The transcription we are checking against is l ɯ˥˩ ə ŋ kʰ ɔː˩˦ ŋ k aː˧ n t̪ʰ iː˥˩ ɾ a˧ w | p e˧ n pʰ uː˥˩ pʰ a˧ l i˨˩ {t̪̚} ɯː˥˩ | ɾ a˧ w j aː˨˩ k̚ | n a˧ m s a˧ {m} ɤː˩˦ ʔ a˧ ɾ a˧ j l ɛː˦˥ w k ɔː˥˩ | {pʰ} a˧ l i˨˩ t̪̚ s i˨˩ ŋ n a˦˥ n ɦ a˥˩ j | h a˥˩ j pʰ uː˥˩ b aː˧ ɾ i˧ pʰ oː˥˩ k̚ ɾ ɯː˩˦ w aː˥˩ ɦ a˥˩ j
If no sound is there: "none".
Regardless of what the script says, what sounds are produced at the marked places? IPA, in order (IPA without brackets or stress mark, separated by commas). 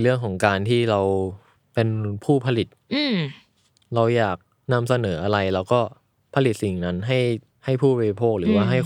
t̪̚, n, pʰ